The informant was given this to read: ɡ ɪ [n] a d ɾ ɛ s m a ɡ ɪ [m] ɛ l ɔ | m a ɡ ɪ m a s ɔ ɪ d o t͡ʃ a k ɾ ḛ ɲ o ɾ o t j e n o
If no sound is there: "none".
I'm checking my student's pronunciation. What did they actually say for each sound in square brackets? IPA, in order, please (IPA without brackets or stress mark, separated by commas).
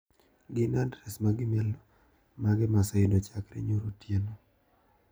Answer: n, m